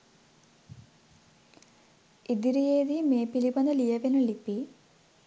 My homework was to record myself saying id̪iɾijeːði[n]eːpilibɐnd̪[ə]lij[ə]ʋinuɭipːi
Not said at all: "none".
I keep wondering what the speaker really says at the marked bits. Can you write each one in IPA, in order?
m, ɐ, ɐ

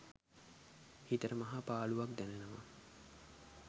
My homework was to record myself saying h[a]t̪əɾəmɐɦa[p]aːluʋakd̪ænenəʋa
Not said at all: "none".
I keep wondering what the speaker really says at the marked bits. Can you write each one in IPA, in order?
i, p

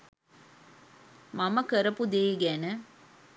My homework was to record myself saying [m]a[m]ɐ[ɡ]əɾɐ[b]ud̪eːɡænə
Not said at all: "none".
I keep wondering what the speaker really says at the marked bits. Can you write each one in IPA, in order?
m, m, k, p

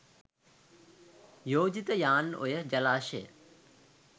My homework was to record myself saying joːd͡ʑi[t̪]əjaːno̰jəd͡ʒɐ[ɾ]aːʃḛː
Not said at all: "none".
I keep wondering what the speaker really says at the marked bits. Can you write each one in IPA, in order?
t̪, l

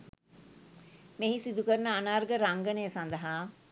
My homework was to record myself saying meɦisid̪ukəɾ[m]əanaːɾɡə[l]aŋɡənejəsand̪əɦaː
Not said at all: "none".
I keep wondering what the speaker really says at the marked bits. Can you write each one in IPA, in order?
n, ɾ

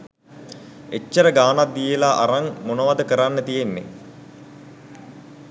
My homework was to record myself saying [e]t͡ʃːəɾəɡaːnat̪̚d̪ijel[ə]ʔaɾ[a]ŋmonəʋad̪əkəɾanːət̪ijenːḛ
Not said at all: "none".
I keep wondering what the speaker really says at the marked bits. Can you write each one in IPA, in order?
e, a, a

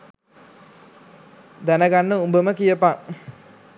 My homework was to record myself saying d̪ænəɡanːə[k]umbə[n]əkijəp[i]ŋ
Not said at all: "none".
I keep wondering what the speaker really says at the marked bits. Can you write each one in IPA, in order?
none, m, a

